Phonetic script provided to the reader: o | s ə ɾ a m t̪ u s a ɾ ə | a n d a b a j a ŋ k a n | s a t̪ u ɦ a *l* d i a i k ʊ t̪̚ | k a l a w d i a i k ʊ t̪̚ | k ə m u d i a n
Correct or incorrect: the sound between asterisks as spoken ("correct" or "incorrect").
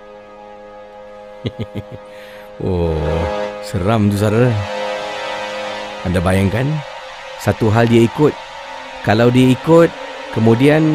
correct